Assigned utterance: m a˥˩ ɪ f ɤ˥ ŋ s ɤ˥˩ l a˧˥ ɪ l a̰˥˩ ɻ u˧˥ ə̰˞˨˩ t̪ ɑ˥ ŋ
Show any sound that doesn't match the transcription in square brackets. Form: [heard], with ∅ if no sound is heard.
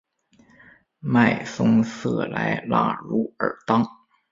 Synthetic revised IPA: m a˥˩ ɪ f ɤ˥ ŋ s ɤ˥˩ l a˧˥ ɪ l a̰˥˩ ɻ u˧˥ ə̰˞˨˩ t̪ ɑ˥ ŋ